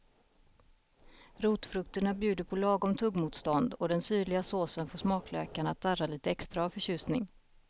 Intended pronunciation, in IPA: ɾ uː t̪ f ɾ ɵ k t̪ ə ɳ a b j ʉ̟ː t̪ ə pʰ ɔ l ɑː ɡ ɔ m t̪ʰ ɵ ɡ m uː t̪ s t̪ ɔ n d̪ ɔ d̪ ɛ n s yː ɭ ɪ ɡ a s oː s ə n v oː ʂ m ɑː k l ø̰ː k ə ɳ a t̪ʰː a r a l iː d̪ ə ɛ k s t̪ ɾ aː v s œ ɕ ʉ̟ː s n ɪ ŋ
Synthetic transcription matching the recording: ɾ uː t̪ f ɾ ɵ k t̪ ə ɳ a b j ʉ̟ː d̪ ə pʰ ɔ l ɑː ɡ ɔ m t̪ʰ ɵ ɡ m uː t̪ s t̪ ɔ n d̪ ɔ d̪ ɛ n s yː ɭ ɪ ɡ a s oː s ə n f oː ʂ m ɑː k l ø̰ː k a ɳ a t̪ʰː a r a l iː t̪ ə ɛ k s t̪ ɾ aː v f œ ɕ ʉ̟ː s n ɪ ŋ